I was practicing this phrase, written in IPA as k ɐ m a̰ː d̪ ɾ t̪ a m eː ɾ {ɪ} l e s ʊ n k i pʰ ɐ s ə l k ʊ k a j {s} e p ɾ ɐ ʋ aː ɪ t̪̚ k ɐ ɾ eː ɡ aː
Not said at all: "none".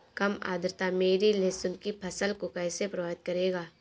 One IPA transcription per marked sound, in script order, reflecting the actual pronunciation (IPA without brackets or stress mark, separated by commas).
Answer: i, s